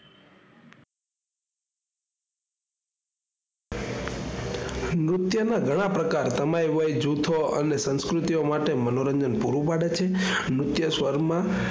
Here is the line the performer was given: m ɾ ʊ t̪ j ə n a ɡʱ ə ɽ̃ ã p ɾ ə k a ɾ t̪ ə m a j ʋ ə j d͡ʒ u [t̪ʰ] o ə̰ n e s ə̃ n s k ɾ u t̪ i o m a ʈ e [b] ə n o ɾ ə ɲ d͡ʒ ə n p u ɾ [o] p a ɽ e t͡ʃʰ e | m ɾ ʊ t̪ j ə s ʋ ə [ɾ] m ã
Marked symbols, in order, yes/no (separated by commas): yes, no, no, yes